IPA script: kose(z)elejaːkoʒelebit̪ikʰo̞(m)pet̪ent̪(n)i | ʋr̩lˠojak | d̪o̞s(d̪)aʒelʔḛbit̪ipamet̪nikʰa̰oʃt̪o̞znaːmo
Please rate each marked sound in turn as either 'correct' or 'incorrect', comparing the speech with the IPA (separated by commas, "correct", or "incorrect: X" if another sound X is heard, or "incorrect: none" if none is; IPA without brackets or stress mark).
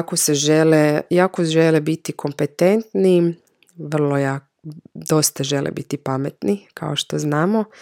incorrect: ʒ, correct, correct, incorrect: t̪